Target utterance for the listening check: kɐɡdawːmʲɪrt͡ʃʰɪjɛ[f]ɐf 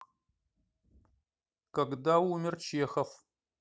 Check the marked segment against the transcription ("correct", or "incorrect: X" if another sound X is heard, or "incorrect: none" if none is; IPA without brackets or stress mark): incorrect: x